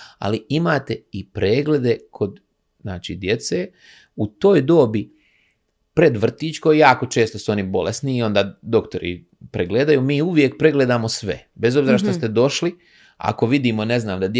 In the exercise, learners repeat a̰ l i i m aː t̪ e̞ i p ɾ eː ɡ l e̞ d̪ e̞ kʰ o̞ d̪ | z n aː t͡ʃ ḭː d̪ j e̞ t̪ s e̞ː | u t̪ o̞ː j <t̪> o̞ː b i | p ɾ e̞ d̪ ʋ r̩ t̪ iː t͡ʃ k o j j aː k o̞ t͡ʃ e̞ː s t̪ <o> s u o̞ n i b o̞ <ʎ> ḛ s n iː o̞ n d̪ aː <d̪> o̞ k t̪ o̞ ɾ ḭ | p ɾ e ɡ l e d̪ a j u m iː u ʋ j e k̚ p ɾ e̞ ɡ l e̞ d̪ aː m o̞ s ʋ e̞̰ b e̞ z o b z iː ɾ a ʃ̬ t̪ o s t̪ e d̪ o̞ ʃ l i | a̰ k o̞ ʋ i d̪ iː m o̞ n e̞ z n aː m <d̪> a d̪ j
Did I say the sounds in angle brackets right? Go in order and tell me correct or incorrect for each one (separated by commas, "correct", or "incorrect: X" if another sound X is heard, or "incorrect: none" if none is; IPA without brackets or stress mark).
incorrect: d̪, correct, incorrect: l, correct, correct